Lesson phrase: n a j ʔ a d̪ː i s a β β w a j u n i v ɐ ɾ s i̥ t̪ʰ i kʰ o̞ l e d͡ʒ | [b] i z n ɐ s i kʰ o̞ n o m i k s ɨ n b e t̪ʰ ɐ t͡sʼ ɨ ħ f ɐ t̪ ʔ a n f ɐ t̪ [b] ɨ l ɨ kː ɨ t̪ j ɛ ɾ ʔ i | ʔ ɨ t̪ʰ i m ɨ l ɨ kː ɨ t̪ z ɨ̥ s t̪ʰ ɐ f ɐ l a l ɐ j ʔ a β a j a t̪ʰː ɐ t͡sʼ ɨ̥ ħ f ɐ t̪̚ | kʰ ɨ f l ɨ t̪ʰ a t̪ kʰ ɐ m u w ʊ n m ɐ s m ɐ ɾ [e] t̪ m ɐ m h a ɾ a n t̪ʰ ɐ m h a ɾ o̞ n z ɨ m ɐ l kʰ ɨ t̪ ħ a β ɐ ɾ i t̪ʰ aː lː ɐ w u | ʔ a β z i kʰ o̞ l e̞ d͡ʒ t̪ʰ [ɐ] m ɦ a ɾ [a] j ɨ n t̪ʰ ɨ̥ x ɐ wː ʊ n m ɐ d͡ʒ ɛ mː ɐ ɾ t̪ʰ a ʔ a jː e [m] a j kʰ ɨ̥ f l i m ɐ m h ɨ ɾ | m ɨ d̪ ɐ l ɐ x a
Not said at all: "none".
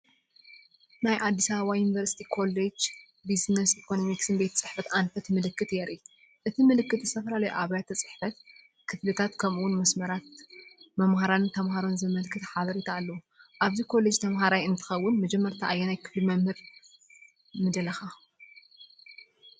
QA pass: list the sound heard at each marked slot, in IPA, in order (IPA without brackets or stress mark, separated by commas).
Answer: b, m, a, ɐ, a, n